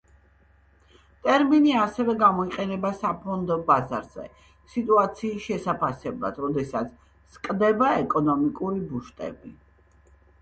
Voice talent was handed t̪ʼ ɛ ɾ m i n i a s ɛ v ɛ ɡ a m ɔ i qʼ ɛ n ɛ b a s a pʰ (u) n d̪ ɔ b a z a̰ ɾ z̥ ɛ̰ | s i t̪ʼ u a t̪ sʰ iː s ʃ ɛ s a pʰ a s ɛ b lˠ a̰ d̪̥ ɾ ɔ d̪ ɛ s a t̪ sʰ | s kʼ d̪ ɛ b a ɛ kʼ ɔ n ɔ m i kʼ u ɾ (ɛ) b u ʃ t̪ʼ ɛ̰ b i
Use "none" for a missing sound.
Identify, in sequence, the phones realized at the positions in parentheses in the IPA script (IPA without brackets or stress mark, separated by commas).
ɔ, i